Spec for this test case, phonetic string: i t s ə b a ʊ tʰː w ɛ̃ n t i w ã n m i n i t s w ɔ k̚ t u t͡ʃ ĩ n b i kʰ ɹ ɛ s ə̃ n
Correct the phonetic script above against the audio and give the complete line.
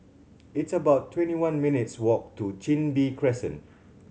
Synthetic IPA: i t s ə b a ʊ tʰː w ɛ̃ n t i w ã n m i n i t s w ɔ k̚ t u t͡ʃ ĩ n b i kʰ ɹ ɛ s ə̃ n